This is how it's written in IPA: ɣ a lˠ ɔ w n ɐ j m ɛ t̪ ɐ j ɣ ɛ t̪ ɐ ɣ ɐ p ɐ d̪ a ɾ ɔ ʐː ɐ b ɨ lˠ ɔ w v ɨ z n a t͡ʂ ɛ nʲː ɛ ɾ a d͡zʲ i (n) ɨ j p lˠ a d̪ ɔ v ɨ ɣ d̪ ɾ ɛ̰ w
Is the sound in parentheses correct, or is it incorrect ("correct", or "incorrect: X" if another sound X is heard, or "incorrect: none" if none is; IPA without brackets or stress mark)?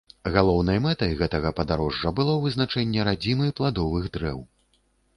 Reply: incorrect: m